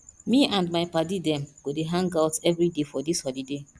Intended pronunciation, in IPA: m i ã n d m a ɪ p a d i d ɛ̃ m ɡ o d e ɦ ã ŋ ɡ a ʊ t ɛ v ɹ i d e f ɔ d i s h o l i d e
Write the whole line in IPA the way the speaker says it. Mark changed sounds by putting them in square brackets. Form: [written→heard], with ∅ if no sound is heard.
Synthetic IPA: m i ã n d m a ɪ p a d i d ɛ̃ m ɡ o d e ɦ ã ŋ ɡ a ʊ t ɛ v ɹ i d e f ɔ d i s h [o→ɔ] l i d e